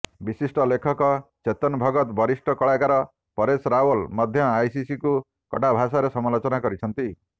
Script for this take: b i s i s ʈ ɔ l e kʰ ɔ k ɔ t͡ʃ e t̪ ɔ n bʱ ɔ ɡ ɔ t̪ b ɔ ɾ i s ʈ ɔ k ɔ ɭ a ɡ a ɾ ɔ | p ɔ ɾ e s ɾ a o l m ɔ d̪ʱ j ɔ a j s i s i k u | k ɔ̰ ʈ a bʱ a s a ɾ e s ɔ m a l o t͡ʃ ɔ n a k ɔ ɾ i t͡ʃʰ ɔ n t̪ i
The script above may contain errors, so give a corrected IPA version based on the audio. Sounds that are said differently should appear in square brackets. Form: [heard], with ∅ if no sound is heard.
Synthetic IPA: b i s i s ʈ ɔ l e kʰ ɔ k ɔ t͡ʃ e t̪ ɔ n bʱ ɔ ɡ ɔ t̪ b ɔ ɾ i s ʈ ɔ k ɔ ɭ a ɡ a ɾ ɔ | p ɔ ɾ e s ɾ a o l m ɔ d̪ʱ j ɔ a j s i s i k u | k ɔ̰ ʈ a bʱ a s a ɾ e s ɔ m a l o t͡ʃ ɔ n a k ɔ ɾ i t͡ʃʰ ɔ n t̪ i